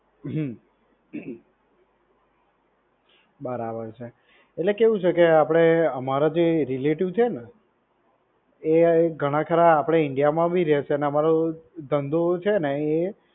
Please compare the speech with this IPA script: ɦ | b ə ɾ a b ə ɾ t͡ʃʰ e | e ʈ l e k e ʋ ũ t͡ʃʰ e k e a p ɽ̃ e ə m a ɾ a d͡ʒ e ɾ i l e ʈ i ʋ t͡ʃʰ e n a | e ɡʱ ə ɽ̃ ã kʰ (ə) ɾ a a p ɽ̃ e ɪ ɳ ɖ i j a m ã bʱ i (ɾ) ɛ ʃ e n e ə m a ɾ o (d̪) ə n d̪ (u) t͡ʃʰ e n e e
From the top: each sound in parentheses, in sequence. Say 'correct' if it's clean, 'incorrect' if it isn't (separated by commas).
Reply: correct, correct, correct, incorrect